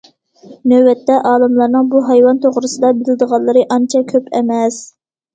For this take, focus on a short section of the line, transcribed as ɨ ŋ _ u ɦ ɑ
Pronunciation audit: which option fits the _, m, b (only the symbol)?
b